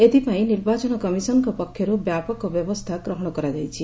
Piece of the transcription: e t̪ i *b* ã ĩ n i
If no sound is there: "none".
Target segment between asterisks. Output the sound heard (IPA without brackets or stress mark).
p